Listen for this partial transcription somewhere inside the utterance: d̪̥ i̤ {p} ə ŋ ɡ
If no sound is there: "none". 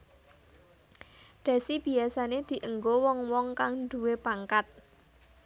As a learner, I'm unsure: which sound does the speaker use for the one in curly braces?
ʔ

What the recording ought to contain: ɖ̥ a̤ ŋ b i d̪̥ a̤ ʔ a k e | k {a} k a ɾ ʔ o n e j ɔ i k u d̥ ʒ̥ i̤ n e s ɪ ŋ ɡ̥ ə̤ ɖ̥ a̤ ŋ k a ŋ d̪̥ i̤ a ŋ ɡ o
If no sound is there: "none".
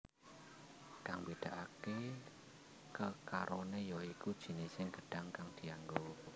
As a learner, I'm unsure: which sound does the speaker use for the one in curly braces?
ə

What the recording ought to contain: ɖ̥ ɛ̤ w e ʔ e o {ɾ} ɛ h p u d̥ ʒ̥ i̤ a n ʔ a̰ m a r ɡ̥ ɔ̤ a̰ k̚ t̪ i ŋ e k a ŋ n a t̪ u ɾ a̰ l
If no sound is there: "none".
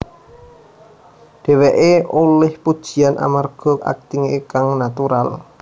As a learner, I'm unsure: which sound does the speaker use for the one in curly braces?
l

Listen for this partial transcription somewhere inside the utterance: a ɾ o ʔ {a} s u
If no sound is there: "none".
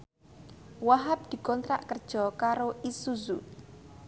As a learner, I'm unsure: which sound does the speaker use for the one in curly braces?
i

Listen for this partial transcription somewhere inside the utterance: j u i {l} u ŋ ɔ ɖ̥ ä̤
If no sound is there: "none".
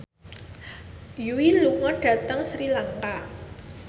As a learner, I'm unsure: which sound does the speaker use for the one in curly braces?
l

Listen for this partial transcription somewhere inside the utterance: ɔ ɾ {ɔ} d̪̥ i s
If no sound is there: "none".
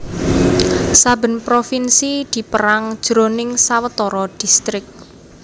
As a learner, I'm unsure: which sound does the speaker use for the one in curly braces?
ɔ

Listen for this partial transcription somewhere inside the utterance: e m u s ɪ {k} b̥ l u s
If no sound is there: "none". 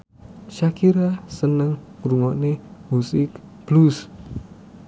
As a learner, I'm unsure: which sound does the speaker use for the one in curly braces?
k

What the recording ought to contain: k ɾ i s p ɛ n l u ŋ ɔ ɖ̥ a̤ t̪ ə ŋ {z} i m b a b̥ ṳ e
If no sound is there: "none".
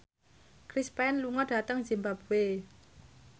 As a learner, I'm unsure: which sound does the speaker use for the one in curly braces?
z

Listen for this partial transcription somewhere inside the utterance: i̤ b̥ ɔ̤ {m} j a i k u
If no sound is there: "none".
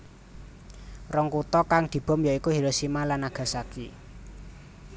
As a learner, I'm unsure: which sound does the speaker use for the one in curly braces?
m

